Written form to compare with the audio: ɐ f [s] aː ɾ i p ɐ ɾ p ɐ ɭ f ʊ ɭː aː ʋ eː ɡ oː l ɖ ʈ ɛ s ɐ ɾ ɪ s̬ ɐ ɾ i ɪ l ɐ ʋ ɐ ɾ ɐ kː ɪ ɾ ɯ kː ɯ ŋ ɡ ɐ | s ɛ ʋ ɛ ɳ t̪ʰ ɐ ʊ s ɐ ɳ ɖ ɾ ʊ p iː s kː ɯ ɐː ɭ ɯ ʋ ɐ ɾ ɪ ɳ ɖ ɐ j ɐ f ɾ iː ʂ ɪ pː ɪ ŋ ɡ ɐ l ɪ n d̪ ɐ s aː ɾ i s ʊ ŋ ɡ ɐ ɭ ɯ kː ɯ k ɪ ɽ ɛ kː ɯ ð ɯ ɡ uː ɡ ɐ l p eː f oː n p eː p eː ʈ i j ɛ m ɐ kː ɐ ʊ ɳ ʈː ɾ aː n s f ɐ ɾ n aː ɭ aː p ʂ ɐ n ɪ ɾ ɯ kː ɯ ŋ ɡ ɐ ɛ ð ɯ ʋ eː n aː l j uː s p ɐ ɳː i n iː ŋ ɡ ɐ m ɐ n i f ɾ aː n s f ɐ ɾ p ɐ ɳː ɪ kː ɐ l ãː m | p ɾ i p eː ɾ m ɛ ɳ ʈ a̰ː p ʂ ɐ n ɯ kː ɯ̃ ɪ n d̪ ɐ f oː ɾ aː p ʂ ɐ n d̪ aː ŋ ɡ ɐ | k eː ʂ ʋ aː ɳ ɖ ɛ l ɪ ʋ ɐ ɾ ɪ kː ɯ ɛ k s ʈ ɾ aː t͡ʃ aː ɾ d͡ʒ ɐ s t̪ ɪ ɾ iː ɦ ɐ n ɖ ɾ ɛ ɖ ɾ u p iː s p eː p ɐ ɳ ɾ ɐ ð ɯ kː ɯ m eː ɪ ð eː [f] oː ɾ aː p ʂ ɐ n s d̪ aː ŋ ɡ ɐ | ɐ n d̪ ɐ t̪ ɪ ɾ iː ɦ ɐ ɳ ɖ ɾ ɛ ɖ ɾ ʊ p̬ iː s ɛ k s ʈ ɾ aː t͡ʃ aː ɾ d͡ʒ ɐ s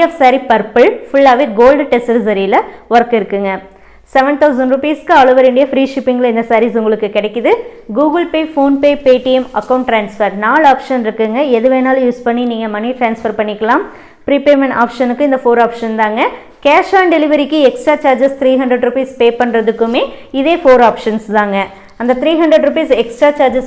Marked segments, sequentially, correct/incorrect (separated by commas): correct, correct